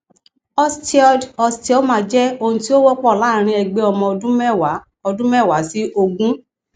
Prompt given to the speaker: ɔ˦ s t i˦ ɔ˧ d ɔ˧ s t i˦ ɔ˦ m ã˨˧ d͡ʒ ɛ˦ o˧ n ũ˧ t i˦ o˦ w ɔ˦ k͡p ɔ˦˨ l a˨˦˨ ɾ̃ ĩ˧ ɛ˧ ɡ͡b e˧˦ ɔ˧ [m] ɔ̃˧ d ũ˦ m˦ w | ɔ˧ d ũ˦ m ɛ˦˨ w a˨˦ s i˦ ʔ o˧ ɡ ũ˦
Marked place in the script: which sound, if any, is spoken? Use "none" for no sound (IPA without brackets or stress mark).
m